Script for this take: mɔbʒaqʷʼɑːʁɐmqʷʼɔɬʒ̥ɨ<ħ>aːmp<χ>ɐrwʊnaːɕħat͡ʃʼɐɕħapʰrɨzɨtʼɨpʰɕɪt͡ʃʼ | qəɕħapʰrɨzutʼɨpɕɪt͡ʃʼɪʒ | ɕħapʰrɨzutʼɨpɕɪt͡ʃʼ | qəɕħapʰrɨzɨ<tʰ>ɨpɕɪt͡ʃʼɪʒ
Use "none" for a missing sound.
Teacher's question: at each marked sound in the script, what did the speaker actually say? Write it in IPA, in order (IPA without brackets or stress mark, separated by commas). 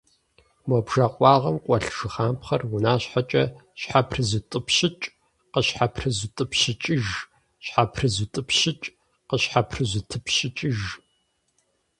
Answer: χ, χ, tʰ